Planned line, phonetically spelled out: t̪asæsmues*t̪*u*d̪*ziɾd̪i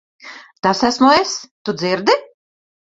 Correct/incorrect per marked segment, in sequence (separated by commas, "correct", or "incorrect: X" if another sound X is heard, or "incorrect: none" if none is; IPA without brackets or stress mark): correct, correct